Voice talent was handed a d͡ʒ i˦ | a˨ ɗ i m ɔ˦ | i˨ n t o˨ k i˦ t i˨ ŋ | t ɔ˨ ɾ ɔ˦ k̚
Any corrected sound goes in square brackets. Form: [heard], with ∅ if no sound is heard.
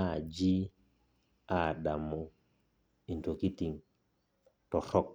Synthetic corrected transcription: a d͡ʒ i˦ | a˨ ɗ [a] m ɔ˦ | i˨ n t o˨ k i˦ t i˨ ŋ | t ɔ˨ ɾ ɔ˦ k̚